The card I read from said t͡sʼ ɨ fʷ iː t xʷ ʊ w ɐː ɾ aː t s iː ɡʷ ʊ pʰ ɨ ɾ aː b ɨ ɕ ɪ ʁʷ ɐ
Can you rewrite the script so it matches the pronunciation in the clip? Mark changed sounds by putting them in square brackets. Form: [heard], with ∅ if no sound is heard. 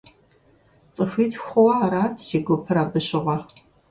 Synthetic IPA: t͡sʼ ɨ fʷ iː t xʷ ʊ w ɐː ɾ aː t s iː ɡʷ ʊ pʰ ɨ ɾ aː b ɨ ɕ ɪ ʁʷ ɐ